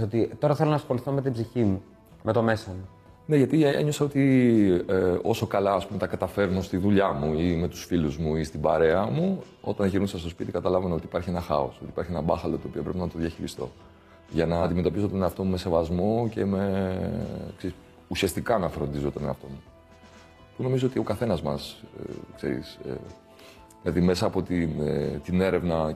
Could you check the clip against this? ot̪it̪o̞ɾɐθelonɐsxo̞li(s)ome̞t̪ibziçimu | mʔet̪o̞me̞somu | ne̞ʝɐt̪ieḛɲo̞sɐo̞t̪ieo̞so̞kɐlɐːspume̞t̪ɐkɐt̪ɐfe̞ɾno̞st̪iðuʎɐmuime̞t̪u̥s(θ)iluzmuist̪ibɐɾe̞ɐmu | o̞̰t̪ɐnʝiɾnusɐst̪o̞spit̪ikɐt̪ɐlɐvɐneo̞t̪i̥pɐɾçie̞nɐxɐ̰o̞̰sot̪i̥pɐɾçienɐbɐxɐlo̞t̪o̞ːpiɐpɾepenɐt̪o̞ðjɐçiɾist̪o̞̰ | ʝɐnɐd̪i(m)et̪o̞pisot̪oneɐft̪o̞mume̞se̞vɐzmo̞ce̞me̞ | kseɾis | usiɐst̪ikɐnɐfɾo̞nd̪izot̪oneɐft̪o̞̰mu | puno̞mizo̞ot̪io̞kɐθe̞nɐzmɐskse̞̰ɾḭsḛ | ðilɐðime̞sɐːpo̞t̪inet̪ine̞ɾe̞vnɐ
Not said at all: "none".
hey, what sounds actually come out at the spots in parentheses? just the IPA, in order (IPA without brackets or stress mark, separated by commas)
θ, f, m